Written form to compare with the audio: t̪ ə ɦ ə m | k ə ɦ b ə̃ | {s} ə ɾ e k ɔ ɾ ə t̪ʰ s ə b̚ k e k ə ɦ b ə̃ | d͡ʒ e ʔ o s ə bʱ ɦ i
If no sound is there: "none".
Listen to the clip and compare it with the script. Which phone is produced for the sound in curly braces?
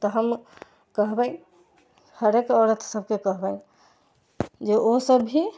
h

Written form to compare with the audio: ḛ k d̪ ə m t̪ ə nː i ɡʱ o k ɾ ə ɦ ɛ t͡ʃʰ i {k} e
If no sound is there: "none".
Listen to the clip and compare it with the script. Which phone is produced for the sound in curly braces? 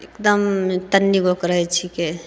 k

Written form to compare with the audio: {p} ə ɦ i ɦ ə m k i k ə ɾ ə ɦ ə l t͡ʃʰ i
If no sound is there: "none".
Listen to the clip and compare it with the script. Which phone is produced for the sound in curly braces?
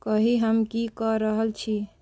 k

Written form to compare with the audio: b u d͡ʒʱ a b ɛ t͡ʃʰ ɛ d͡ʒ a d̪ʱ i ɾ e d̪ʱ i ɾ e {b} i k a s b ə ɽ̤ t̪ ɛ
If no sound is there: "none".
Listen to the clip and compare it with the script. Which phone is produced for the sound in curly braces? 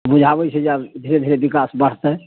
b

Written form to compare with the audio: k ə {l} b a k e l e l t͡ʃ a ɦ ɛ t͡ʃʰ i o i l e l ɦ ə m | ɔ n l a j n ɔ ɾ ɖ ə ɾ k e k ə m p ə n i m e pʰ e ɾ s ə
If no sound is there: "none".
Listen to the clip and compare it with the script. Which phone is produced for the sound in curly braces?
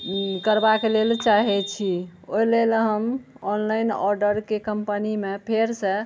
ɾ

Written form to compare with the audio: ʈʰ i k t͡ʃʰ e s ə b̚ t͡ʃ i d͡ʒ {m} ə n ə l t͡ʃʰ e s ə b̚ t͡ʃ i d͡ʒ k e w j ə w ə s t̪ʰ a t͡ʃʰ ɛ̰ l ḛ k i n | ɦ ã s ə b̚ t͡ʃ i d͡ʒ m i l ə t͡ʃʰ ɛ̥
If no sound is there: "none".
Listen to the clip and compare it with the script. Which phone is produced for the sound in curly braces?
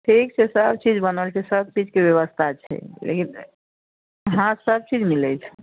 b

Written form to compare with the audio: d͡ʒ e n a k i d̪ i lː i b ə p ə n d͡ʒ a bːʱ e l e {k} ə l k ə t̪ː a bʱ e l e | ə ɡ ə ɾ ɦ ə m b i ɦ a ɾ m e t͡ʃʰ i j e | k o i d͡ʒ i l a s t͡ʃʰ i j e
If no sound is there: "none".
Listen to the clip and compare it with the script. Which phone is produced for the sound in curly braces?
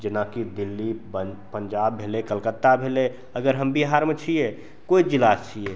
k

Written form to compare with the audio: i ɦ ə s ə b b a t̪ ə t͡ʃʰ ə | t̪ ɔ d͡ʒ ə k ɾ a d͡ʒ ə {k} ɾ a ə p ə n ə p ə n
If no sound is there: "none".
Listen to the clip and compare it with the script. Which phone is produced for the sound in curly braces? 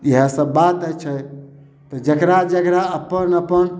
k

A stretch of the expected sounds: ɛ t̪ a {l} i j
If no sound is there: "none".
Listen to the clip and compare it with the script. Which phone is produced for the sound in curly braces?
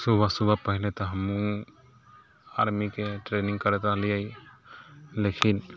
l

